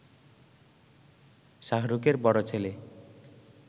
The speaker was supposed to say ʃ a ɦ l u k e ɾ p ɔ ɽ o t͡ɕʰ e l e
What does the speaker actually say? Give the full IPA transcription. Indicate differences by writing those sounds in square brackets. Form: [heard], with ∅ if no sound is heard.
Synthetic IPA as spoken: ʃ a ɦ [ɾ] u k e ɾ [b] ɔ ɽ o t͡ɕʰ e l e